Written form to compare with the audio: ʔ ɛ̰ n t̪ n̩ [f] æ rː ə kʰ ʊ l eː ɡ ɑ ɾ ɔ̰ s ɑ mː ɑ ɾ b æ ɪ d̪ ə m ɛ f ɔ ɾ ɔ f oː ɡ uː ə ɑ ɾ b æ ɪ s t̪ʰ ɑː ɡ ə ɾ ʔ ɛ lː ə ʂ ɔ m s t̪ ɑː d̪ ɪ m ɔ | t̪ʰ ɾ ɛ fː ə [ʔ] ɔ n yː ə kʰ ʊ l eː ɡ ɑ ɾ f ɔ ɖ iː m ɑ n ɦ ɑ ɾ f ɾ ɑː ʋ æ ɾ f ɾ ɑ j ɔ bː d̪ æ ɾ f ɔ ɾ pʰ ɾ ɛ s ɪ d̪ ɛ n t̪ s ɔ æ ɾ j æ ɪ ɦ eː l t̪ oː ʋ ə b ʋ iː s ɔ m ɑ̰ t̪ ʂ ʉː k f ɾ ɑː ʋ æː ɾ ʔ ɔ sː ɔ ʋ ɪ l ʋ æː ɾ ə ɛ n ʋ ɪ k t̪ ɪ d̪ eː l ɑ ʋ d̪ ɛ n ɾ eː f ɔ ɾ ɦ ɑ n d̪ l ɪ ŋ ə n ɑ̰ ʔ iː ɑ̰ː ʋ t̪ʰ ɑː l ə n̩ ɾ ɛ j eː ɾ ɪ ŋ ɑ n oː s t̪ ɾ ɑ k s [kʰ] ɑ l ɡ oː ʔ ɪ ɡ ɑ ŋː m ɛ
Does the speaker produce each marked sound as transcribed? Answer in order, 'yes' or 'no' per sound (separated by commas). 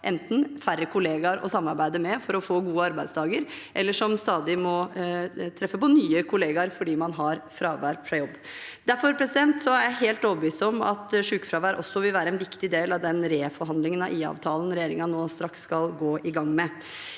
yes, no, no